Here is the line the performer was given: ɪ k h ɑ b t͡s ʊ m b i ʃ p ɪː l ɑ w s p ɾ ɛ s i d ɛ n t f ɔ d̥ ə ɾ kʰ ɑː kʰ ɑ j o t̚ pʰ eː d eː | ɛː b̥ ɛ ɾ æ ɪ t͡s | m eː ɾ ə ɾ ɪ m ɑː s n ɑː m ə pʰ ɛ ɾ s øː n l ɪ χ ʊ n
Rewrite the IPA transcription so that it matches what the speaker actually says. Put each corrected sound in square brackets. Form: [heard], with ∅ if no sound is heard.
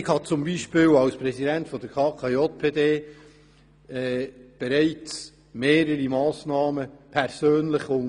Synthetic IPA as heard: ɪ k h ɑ [∅] t͡s ʊ m b i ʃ p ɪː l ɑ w s p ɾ ɛ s i d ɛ n t f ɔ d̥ ə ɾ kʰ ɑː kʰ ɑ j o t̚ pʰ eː d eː | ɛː b̥ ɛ ɾ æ ɪ t͡s | m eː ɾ ə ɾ [i] m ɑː s n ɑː m ə pʰ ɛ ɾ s øː n l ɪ χ ʊ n